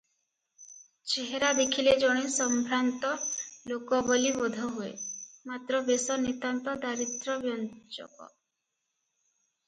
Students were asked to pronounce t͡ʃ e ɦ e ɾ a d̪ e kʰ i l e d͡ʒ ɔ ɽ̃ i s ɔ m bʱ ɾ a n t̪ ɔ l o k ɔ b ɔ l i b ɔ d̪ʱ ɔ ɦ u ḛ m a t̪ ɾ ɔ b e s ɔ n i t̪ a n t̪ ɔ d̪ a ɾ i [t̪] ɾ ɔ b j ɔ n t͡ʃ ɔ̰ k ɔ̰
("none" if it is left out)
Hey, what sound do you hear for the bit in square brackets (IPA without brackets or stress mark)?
t̪